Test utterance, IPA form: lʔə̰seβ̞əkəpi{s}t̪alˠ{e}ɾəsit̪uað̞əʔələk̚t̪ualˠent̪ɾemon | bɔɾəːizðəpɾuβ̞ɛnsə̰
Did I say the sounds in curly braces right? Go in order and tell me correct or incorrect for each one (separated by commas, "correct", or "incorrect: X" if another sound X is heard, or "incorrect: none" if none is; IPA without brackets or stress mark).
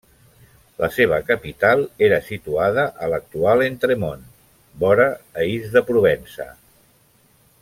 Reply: incorrect: none, correct